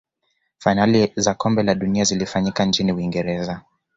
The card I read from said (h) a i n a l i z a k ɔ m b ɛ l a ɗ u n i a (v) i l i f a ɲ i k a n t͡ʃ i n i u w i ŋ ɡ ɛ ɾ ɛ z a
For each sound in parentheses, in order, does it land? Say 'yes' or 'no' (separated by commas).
no, no